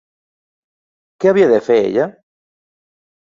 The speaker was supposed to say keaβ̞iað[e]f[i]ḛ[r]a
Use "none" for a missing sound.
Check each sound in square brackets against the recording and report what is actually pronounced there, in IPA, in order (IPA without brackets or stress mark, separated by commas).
e, e, ʎ